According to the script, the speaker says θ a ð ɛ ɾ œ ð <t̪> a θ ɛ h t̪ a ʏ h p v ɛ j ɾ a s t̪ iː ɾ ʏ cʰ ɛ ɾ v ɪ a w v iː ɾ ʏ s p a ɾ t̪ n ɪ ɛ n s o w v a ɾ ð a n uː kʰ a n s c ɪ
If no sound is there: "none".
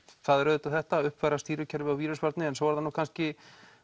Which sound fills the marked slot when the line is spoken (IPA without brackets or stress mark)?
t̪